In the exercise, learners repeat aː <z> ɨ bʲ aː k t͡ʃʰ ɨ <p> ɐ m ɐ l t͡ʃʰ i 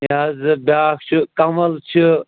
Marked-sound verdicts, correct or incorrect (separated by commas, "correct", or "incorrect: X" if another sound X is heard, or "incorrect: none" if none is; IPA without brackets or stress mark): correct, incorrect: k